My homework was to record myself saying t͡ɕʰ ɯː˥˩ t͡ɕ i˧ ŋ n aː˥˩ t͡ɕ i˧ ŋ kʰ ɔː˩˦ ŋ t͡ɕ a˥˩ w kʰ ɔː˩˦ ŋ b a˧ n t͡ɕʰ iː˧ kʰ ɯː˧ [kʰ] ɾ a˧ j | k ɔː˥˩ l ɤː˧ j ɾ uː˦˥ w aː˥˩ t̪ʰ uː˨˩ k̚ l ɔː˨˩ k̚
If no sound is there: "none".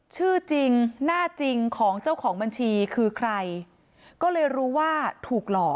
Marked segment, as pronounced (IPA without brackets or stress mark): kʰ